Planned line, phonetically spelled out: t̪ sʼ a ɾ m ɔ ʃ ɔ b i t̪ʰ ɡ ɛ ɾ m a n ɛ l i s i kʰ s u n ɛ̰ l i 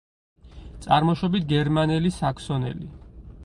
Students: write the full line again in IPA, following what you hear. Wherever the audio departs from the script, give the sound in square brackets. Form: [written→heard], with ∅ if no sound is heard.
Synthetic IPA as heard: t̪ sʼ a ɾ m ɔ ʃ ɔ b i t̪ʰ ɡ ɛ ɾ m a n ɛ l i s [i→a] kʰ s [u→ɔ] n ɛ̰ l i